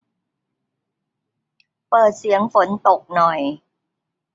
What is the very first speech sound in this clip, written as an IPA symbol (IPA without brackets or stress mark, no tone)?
p